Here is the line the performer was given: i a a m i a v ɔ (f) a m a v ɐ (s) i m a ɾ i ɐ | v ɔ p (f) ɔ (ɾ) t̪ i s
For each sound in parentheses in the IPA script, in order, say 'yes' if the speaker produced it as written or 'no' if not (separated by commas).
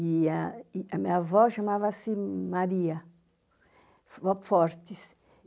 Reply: no, yes, yes, yes